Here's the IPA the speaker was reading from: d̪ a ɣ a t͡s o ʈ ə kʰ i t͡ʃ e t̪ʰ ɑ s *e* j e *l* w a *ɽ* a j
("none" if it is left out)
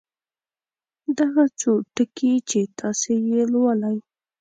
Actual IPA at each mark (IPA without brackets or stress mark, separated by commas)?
e, l, l